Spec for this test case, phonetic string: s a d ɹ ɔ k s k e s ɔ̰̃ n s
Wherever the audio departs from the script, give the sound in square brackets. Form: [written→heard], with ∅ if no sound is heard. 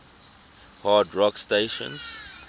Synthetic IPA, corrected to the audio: [s→h] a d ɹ ɔ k s [k→t] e [s→ʃ] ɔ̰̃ n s